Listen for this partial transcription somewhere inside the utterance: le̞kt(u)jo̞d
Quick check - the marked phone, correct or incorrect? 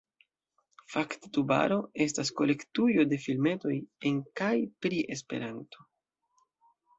correct